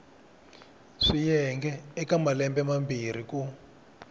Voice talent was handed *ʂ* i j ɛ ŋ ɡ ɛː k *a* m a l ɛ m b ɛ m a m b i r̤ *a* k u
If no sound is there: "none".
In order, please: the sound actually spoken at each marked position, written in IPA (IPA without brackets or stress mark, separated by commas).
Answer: ʂ, a, i